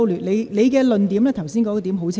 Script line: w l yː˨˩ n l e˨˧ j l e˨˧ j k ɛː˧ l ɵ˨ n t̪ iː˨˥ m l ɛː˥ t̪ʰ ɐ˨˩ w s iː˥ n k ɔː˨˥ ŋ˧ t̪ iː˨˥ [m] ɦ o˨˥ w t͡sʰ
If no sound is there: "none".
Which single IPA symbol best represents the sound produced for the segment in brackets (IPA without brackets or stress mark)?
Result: m